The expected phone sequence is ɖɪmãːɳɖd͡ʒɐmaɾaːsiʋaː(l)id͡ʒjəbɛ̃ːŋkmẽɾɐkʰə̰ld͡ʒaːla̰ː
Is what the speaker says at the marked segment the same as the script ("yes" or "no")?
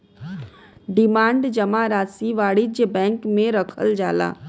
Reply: no